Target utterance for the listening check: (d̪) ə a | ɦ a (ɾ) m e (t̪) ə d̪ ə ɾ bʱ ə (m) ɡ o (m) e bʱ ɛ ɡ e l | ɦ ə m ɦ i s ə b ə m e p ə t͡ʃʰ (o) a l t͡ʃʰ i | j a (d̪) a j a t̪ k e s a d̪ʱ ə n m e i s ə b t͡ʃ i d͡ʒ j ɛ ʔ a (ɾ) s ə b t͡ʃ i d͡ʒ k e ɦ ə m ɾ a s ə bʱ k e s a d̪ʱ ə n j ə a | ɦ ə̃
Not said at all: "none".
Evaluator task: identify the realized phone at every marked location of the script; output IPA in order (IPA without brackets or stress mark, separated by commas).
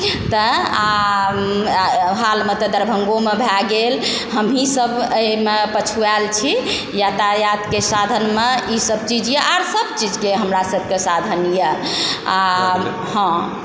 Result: t̪, l, t̪, ŋ, m, u, t̪, ɾ